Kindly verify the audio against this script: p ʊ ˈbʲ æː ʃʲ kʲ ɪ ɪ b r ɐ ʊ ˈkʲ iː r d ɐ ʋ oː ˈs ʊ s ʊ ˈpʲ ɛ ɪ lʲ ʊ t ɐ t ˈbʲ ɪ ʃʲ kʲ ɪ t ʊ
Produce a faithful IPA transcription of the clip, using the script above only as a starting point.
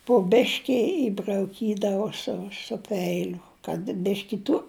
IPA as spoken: p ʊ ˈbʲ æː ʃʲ kʲ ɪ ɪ b r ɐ ʊ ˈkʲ iː d ɐ ʋ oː ˈs ʊ s ʊ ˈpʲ ɛ ɪ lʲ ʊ k ɐ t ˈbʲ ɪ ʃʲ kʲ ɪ t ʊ